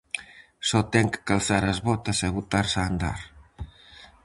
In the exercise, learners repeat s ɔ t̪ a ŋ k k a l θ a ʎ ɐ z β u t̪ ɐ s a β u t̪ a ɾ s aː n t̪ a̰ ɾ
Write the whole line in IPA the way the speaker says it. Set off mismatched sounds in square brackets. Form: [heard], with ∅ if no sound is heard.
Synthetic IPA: s ɔ t̪ [ɛ] ŋ k k a l θ a [ɾ] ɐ z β [ɔ] t̪ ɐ s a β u t̪ a ɾ s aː n [d̪] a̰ ɾ